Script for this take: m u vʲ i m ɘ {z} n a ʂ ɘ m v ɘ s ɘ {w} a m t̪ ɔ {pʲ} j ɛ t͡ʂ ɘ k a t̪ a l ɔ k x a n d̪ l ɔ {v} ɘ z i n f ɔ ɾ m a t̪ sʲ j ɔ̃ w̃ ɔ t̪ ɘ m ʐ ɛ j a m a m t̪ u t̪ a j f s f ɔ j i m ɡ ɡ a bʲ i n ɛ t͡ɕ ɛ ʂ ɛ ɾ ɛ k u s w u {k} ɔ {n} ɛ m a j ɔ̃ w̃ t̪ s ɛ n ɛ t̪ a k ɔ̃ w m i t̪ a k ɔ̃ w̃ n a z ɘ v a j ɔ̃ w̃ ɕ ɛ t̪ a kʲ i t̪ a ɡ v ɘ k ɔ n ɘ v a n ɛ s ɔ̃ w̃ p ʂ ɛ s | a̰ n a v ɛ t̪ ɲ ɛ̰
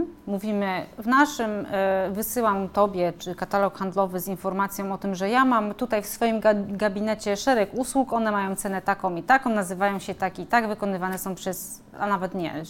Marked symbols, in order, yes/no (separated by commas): no, yes, no, yes, yes, yes